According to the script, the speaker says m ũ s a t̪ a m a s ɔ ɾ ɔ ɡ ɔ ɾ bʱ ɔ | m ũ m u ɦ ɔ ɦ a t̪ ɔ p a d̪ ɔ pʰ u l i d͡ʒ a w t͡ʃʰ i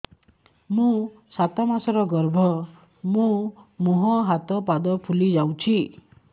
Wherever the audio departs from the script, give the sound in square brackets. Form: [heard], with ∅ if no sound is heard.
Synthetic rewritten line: m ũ s a t̪ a m a s ɔ ɾ ɔ ɡ ɔ ɾ bʱ ɔ | m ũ m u ɦ ɔ ɦ a t̪ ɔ p a d̪ ɔ pʰ u l i d͡ʒ a w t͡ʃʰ i